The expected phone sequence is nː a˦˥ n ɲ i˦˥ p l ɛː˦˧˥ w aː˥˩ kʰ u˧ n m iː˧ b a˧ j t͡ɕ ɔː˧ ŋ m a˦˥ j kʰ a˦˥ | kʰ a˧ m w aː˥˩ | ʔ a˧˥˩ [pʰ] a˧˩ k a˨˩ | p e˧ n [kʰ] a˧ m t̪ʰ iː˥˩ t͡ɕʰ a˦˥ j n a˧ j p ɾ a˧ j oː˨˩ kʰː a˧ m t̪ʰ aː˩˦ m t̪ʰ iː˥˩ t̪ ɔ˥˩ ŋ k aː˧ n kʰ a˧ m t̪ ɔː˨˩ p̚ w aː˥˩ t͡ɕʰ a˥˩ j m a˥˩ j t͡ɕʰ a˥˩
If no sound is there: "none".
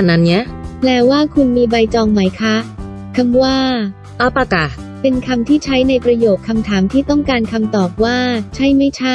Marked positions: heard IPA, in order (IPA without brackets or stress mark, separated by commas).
p, kʰ